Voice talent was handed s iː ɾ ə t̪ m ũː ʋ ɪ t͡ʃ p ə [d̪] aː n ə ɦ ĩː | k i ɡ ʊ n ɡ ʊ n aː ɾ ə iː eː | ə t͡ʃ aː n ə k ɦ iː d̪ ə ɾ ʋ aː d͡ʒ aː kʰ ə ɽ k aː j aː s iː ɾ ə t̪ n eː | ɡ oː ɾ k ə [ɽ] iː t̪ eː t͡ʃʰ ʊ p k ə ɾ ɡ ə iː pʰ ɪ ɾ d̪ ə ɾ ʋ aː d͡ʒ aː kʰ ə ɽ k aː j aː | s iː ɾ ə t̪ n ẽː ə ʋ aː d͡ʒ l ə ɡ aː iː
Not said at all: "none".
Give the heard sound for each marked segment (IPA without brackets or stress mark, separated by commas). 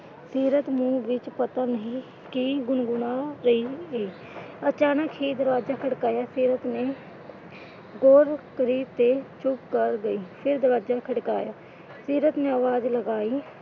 t̪, ɾ